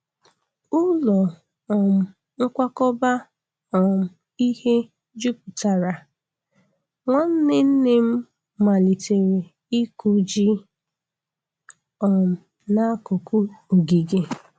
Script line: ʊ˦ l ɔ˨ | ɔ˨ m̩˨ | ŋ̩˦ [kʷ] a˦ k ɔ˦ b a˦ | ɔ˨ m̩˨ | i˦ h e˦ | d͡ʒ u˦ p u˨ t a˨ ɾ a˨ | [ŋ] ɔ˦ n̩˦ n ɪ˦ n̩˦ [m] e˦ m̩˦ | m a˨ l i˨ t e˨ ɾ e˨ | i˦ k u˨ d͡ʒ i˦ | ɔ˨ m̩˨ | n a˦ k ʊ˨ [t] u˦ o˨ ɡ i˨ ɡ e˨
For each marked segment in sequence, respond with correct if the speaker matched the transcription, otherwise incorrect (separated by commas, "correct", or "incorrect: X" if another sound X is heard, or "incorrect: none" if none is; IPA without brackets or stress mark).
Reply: correct, correct, incorrect: n, incorrect: k